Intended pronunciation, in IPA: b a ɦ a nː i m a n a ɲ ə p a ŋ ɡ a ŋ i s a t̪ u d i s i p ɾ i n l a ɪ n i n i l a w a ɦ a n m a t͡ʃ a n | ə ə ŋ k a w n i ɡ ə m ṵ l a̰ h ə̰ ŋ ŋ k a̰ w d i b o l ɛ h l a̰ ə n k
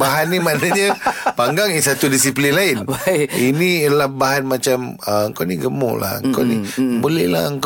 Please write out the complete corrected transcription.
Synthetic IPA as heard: b a ɦ a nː i m a n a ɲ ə p a ŋ ɡ a ŋ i s a t̪ u d i s i p l i n l a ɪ n i n i l a b a ɦ a n m a t͡ʃ a m | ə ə ŋ k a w n i ɡ ə m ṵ l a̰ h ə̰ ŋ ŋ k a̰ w n i b o l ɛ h l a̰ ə ŋ k